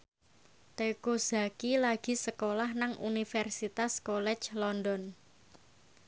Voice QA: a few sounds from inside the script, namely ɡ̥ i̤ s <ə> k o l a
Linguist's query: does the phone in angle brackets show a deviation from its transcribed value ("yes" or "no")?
no